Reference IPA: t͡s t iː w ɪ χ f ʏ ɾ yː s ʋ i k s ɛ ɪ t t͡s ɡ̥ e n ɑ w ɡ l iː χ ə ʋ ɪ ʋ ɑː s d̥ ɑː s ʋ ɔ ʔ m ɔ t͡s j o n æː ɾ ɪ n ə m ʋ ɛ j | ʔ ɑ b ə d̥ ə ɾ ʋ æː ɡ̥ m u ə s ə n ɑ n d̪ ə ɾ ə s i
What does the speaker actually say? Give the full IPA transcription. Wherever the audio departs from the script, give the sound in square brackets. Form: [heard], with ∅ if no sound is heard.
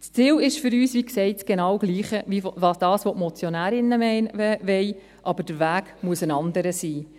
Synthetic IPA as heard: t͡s [t͡s] iː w ɪ [ʃ] f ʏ ɾ yː s ʋ i k s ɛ ɪ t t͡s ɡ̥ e n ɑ w ɡ l iː χ ə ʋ [i] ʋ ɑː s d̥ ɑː s ʋ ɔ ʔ m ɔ t͡s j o n æː ɾ ɪ n ə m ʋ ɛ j | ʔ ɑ b ə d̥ ə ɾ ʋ æː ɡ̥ m u ə s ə n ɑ n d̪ ə ɾ ə s [iː]